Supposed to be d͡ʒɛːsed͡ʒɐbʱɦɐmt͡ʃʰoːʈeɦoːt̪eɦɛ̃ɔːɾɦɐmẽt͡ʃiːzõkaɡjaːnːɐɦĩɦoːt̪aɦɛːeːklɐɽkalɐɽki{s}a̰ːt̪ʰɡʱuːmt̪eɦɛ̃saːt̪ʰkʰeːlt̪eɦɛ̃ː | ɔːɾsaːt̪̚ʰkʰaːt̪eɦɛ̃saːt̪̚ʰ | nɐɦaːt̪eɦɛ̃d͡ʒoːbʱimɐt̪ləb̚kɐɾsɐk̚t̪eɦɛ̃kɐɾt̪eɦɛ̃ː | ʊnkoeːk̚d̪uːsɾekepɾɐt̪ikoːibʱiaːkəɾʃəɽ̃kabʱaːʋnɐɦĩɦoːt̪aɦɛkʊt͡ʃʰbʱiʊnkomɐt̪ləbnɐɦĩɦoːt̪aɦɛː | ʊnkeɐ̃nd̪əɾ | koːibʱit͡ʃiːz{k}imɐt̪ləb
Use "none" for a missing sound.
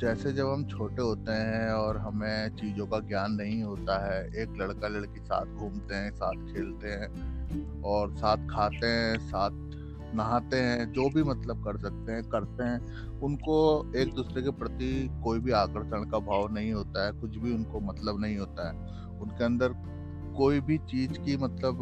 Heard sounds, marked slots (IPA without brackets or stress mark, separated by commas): s, k